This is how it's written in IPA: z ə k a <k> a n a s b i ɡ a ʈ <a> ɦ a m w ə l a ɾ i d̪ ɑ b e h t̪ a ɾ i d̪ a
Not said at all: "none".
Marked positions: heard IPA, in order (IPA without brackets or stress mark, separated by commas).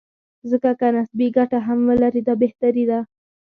k, a